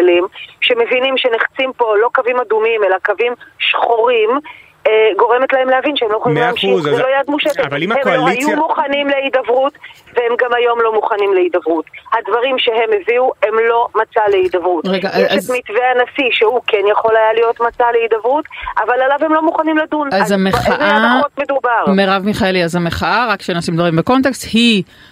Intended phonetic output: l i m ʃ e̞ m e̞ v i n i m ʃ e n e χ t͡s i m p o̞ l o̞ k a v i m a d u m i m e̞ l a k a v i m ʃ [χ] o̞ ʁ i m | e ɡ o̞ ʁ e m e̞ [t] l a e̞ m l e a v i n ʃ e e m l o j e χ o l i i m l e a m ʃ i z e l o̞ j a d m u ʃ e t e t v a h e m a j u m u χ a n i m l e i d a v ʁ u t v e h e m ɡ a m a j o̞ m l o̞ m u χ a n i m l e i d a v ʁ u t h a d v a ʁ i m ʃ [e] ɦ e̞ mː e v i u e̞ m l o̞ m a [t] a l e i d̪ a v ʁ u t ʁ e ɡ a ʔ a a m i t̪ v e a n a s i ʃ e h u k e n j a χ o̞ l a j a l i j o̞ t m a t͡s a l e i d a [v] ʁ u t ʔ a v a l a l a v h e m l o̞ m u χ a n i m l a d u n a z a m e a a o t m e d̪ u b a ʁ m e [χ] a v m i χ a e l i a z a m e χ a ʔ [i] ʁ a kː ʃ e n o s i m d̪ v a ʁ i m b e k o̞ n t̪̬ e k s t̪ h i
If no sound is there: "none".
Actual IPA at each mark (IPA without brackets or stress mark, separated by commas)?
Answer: χ, t, e, t͡s, v, ʁ, a